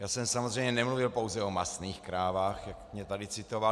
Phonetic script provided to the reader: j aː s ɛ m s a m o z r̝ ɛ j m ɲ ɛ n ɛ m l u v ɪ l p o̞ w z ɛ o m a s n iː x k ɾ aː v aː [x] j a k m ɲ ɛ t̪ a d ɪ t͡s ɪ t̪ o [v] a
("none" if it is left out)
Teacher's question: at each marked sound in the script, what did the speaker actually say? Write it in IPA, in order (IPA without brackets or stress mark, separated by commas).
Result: x, v